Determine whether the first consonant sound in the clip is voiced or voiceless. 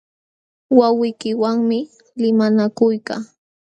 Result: voiced